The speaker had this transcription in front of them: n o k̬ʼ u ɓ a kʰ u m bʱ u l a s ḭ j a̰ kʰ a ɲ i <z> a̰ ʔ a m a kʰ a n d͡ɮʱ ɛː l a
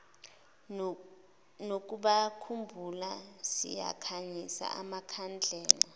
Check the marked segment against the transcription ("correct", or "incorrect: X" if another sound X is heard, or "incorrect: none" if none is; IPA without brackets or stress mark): incorrect: s